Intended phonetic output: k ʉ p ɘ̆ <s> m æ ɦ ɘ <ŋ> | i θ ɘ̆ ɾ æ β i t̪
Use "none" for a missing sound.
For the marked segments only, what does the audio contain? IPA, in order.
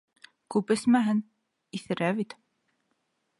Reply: s, n

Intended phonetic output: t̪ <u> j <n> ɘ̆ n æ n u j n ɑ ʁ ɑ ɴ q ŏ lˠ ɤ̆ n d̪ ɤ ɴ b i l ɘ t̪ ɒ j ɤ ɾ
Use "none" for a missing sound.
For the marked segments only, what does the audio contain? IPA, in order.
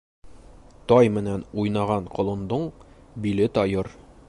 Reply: ɒ, m

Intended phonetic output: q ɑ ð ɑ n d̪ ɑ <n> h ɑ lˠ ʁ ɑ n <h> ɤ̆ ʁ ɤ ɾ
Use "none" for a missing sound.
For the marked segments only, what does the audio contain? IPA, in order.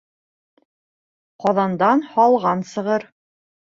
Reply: n, s

